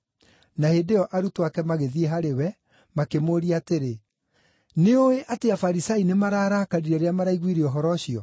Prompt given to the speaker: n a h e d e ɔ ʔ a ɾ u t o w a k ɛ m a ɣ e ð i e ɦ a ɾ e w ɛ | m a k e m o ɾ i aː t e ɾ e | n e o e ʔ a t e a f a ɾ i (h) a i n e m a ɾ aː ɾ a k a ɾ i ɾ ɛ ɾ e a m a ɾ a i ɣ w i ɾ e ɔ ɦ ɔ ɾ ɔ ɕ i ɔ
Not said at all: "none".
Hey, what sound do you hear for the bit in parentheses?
s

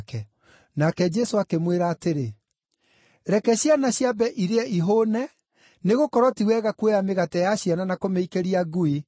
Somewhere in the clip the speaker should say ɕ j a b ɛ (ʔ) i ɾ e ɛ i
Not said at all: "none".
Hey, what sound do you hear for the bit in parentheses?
ʔ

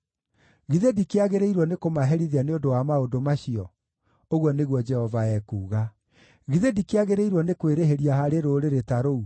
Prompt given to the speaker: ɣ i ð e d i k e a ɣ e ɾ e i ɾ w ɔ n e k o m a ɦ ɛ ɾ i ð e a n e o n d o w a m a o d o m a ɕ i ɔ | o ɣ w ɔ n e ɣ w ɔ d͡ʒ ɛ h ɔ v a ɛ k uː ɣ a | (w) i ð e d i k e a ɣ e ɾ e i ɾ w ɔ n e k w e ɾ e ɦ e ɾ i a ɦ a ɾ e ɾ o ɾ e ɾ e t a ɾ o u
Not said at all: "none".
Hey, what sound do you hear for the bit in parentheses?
ɣ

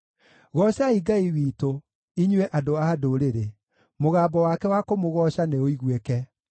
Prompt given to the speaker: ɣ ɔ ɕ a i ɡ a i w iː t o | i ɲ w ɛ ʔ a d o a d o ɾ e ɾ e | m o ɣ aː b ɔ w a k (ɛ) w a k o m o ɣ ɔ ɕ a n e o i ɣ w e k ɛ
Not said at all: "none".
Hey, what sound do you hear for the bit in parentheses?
ɛ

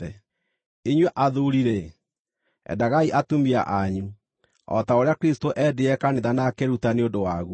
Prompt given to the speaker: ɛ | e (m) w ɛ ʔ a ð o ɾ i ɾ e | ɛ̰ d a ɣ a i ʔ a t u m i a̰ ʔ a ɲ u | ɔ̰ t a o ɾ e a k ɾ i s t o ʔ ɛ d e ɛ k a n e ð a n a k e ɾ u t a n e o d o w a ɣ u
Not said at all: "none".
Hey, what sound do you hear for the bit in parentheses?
ɲ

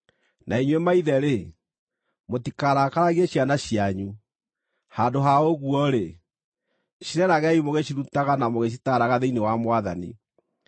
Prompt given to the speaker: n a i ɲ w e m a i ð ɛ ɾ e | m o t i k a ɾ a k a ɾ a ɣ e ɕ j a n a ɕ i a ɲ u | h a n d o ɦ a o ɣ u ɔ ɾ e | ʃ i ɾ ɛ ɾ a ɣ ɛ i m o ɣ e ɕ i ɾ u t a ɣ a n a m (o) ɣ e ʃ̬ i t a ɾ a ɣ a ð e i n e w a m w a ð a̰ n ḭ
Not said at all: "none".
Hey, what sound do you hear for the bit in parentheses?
o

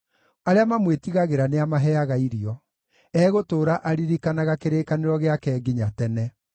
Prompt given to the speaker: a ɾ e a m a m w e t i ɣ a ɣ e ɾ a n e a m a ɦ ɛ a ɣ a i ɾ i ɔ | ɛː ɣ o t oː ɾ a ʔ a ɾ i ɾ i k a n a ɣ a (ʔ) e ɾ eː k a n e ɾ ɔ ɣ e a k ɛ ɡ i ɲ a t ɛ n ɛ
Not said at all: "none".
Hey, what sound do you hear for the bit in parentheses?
k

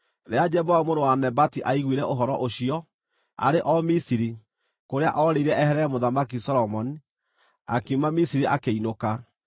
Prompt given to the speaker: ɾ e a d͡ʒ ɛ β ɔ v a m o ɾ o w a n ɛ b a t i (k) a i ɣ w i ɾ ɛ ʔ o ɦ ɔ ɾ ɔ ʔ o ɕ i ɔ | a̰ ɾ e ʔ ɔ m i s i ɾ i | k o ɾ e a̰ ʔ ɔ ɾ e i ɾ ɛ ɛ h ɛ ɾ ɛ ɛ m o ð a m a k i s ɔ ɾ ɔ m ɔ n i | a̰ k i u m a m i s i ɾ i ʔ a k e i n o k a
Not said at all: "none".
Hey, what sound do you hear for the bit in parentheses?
ʔ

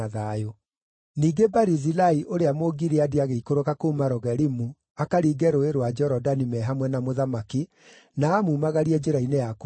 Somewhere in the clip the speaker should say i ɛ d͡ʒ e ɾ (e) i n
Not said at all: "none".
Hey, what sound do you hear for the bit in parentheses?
a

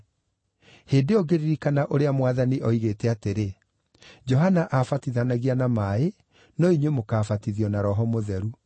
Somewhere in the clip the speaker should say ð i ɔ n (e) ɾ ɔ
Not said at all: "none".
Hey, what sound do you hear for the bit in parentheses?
a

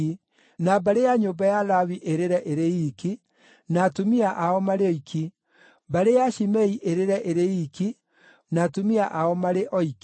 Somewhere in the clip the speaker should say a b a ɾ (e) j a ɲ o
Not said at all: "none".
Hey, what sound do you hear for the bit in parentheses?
e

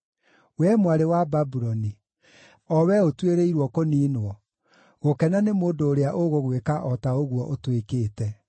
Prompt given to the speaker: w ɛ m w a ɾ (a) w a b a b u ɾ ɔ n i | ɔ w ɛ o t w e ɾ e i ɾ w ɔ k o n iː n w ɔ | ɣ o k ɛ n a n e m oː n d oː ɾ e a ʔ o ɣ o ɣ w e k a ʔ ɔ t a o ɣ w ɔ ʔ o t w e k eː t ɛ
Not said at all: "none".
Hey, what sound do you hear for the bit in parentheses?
e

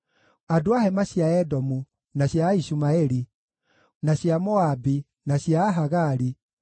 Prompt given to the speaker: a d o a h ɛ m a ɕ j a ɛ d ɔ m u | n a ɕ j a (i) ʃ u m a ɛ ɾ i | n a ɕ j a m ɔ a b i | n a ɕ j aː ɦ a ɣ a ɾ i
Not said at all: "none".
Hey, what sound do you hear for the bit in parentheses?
i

